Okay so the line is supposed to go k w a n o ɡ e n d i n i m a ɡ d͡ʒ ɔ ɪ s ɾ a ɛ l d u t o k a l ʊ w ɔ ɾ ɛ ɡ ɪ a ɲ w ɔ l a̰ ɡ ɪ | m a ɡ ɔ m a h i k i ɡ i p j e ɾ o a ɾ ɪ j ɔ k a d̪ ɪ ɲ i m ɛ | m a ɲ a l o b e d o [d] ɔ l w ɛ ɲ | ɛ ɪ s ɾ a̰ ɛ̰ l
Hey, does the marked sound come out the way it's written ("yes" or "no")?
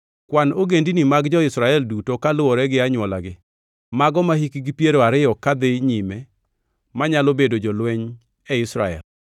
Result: no